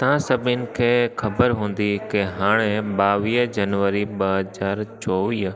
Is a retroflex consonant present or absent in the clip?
present